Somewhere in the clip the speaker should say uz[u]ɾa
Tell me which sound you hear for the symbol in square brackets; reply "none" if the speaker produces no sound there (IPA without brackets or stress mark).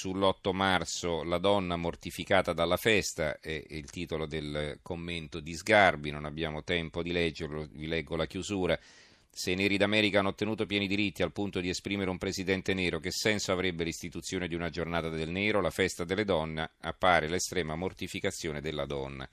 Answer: uː